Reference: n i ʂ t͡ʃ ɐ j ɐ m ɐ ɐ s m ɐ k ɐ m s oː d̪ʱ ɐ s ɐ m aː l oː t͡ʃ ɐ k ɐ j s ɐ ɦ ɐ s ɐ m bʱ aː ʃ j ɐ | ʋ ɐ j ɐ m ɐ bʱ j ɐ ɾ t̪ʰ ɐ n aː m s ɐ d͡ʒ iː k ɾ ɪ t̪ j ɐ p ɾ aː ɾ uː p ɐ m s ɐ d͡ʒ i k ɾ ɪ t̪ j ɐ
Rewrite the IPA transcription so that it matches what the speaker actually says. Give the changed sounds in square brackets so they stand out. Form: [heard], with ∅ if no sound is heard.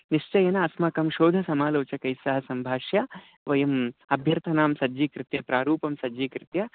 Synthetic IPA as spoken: n i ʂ t͡ʃ ɐ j ɐ [n] ɐ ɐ s m ɐ k ɐ m [ʃ] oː d̪ʱ ɐ s ɐ m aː l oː t͡ʃ ɐ k ɐ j s ɐ ɦ ɐ s ɐ m bʱ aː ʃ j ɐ | ʋ ɐ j ɐ m ɐ bʱ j ɐ ɾ t̪ʰ ɐ n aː m s ɐ d͡ʒ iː k ɾ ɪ t̪ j ɐ p ɾ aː ɾ uː p ɐ m s ɐ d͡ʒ i k ɾ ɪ t̪ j ɐ